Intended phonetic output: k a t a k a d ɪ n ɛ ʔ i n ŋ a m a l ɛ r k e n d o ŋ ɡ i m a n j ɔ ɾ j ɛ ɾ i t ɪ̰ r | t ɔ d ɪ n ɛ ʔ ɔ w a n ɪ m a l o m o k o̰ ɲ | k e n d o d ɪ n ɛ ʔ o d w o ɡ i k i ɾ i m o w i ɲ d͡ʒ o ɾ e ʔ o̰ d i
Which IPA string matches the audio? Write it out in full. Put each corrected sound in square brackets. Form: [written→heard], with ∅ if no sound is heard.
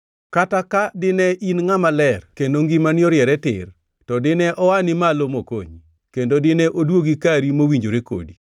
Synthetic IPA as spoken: k a t a k a d ɪ n ɛ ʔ i n ŋ a m a l ɛ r k e n d o ŋ ɡ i m a n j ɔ ɾ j ɛ ɾ [i→ɛ] t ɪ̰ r | t ɔ d ɪ n ɛ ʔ ɔ w a n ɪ m a l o m o k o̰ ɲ | k e n d o d ɪ n ɛ ʔ o d w o ɡ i k [i→a] ɾ i m o w i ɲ d͡ʒ o ɾ e [ʔ→k] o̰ d i